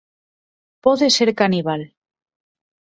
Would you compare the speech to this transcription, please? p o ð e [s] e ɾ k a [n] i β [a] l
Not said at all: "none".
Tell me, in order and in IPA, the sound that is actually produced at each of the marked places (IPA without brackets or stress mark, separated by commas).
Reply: s, n, a